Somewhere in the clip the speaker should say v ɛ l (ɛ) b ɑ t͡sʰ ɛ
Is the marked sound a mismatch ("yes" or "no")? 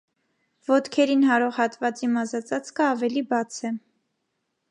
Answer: yes